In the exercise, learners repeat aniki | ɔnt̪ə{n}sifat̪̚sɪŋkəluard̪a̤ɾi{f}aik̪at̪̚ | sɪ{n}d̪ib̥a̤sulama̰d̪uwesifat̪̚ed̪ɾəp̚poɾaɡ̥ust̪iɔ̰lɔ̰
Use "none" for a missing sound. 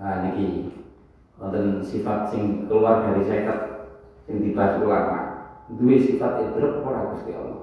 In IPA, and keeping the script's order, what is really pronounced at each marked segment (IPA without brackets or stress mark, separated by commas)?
n, s, ŋ